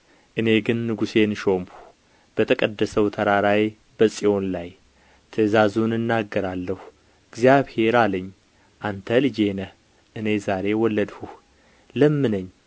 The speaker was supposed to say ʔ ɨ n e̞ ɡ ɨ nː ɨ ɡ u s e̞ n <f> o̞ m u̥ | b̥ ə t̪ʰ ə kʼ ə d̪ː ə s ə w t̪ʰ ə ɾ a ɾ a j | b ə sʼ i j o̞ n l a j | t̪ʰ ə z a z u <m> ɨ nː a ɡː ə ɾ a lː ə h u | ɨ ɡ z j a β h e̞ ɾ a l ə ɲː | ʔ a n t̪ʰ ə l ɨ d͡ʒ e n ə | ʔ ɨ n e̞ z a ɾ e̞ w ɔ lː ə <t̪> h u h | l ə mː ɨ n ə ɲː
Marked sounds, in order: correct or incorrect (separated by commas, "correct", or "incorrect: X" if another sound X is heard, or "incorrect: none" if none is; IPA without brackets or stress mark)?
incorrect: ʃ, incorrect: n, incorrect: d̪